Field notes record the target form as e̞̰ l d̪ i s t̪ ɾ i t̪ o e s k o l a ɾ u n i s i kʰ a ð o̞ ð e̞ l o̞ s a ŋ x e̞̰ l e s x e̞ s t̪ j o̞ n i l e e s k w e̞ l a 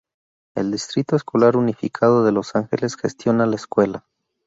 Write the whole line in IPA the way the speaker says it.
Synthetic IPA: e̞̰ l d̪ i s t̪ ɾ i t̪ o e s k o l a ɾ u n i f i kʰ a ð o̞ ð e̞ l o̞ s a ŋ x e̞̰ l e s x e̞ s t̪ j o̞ n a l a e s k w e̞ l a